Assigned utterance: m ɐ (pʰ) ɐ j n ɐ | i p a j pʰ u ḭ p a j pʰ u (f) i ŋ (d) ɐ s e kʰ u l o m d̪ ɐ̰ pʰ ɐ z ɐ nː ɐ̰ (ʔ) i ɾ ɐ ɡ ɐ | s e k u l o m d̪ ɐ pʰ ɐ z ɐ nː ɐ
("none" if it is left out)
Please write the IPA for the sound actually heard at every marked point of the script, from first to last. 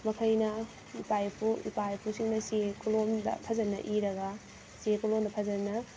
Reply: kʰ, s, n, ʔ

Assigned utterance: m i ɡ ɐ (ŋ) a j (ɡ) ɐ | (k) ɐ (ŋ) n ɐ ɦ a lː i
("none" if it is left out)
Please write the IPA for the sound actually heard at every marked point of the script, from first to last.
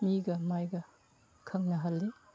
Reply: m, ɡ, kʰ, ŋ

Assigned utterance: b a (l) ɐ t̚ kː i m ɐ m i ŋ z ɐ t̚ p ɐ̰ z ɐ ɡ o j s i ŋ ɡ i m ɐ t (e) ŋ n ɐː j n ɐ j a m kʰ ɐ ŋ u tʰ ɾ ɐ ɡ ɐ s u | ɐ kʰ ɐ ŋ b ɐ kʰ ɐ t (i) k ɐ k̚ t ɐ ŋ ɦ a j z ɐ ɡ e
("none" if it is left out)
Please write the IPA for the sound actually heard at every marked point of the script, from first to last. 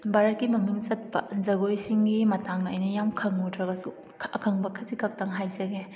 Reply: ɾ, a, i

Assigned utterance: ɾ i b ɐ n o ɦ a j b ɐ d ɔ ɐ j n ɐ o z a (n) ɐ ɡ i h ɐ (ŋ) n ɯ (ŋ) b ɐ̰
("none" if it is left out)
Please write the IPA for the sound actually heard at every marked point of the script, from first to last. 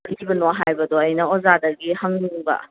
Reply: d, ŋ, ŋ

